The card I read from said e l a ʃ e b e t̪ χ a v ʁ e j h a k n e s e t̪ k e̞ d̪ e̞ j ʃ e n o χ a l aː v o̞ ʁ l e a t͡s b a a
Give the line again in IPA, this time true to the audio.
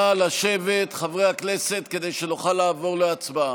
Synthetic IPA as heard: a l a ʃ e v e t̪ χ a v ʁ e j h a k n e s e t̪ k e̞ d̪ e̞ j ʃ e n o χ a l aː v o̞ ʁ l e a t͡s b a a